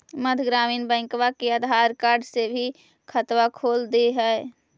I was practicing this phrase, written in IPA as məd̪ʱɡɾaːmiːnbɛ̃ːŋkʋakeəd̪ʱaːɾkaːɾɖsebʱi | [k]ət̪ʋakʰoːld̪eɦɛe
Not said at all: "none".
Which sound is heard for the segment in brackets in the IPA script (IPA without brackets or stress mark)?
kʰ